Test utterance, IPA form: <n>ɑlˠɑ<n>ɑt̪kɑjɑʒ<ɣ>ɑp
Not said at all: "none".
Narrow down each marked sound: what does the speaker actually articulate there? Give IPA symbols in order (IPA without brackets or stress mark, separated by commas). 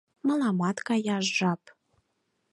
m, m, ʒ